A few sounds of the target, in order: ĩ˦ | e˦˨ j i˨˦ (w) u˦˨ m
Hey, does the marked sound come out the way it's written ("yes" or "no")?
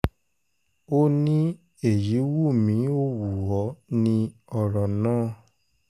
yes